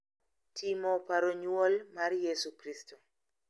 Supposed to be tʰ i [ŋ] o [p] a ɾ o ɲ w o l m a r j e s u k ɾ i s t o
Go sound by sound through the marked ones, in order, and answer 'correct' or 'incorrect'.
incorrect, correct

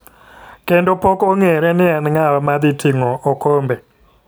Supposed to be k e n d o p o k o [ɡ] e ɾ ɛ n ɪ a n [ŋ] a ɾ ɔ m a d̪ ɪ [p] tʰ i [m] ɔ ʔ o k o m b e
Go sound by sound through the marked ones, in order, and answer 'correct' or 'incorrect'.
incorrect, correct, incorrect, incorrect

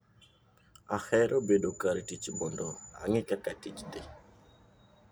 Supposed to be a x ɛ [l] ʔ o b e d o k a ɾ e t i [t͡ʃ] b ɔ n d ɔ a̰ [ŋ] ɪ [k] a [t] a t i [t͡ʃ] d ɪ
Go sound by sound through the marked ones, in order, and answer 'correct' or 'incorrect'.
incorrect, correct, correct, correct, incorrect, correct

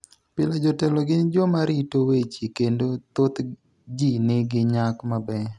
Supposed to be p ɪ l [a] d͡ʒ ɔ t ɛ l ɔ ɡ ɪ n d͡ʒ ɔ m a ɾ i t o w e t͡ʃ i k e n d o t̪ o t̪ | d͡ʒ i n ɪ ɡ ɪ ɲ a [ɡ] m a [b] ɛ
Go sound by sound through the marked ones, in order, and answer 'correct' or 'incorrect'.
correct, incorrect, correct

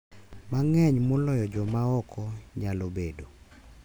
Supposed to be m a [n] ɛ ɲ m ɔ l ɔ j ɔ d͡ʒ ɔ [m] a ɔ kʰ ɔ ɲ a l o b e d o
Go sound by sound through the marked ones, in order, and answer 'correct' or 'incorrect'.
incorrect, correct

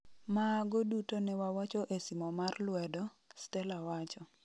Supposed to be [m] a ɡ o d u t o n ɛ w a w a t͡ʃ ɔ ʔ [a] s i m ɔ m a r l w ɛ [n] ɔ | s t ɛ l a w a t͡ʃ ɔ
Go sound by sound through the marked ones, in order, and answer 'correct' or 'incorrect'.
correct, incorrect, incorrect

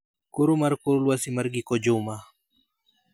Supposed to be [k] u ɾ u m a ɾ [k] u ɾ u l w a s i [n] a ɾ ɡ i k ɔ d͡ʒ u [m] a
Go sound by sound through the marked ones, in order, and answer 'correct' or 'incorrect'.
correct, correct, incorrect, correct

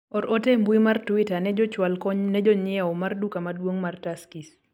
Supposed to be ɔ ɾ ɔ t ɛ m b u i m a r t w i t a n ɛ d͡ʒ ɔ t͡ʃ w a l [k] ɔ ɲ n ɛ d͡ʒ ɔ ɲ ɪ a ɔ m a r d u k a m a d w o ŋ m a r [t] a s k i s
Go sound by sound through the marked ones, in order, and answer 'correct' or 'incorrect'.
correct, correct

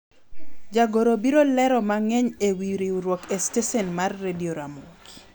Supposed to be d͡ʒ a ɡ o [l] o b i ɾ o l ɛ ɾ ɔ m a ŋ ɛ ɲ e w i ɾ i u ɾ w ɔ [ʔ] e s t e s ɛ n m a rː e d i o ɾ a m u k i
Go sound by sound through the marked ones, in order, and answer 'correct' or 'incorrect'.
incorrect, incorrect

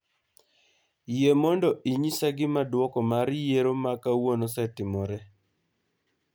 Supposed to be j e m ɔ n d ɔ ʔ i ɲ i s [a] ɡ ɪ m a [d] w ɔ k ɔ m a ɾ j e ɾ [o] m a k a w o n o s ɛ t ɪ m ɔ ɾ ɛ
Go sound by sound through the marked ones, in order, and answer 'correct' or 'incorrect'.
correct, correct, correct

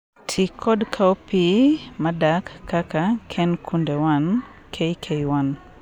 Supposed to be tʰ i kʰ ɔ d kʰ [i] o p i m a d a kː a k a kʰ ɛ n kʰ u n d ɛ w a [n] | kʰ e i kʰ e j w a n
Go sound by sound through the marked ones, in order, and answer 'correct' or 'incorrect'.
incorrect, correct

